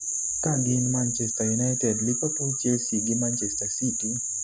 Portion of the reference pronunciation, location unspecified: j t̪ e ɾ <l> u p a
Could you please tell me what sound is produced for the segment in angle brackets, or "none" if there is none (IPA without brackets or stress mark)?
l